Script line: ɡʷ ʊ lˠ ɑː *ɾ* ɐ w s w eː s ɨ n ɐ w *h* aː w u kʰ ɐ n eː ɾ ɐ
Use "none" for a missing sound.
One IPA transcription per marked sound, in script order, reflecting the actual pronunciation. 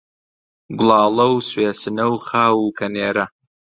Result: l, χ

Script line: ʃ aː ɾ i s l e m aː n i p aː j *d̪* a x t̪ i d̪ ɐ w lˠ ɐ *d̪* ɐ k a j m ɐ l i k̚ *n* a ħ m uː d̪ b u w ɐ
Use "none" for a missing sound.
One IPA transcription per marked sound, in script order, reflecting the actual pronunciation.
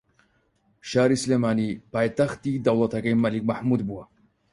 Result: t̪, t̪, m

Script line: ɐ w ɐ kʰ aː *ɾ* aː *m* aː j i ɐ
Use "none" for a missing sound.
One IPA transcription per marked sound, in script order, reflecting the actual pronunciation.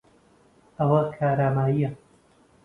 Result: ɾ, m

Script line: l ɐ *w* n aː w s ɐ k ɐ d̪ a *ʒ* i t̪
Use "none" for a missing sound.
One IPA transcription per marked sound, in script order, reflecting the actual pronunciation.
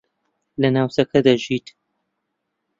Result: none, ʒ

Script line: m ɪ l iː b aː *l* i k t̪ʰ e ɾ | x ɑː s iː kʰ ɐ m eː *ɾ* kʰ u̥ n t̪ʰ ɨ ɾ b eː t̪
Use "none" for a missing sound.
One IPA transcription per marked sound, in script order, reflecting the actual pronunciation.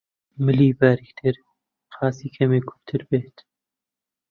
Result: ɾ, none

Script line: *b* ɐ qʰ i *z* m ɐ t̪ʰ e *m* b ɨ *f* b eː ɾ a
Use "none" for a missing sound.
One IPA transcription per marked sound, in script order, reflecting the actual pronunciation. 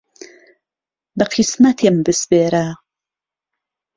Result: b, s, m, s

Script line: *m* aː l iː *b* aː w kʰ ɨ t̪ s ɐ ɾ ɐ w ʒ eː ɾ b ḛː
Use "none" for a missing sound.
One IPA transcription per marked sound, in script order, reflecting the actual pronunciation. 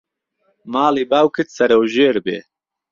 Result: m, b

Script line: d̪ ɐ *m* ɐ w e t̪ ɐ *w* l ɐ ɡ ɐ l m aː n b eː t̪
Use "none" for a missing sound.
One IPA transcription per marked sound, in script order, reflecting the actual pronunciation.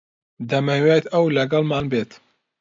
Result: m, w

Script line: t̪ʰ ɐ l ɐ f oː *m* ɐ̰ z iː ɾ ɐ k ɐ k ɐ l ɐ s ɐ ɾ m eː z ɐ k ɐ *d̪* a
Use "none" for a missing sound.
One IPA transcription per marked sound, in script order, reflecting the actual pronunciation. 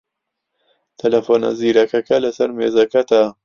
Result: n, t̪

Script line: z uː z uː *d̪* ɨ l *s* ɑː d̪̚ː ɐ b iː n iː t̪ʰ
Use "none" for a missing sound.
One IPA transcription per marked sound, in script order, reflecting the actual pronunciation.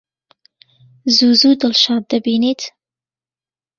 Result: d̪, ʃ

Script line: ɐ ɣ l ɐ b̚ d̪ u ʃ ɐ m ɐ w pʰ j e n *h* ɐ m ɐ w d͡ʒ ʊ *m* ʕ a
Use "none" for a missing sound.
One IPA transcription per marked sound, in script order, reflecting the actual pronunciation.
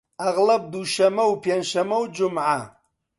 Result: ʃ, m

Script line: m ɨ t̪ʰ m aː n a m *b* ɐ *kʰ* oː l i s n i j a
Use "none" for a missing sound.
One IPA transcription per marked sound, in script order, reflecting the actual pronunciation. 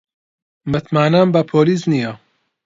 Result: b, pʰ

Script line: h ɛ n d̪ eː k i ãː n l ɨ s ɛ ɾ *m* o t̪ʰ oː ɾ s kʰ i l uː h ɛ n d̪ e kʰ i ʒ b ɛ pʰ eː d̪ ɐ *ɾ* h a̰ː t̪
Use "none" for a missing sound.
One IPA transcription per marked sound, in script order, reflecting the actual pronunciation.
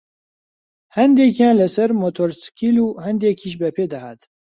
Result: m, none

